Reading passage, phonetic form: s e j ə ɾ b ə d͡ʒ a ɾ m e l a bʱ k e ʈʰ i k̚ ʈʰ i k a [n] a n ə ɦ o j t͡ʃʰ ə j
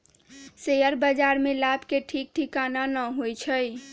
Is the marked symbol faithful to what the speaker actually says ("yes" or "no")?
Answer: yes